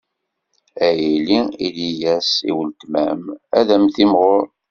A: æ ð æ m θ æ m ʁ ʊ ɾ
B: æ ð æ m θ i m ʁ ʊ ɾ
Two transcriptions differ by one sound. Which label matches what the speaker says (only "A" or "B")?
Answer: B